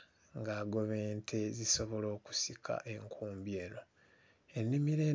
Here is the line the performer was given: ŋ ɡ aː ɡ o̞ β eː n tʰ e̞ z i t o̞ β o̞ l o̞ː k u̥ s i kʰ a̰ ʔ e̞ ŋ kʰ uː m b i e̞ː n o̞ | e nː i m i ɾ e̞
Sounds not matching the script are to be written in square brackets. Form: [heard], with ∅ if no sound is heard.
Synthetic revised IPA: ŋ ɡ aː ɡ o̞ β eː n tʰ e̞ z i [s] o̞ β o̞ l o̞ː k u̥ s i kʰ a̰ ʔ e̞ ŋ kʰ uː m b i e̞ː n o̞ | e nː i m i ɾ e̞